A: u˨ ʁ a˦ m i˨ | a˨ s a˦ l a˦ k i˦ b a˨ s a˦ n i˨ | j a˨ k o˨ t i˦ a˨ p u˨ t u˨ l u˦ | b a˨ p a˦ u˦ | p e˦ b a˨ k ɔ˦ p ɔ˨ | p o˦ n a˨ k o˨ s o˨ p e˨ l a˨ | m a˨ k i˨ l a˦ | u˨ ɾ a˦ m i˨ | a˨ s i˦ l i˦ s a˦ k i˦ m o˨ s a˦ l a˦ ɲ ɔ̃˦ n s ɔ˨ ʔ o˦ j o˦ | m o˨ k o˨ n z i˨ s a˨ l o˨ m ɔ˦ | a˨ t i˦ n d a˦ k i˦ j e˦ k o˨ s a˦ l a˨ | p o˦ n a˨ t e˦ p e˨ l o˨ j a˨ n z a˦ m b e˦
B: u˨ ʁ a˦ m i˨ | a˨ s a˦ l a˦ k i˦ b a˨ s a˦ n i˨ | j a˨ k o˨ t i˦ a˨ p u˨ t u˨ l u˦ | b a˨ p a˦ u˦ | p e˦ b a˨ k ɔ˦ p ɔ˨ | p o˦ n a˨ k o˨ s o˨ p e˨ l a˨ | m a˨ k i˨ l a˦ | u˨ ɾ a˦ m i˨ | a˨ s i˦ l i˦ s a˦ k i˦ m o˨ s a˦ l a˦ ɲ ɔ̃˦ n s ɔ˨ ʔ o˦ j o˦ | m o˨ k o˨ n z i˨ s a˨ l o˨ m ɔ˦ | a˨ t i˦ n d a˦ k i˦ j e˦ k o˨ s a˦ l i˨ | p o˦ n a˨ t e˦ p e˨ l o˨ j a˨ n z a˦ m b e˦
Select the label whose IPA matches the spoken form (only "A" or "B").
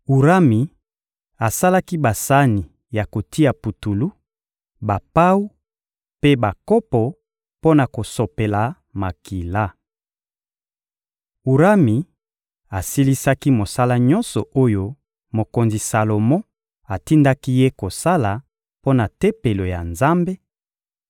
A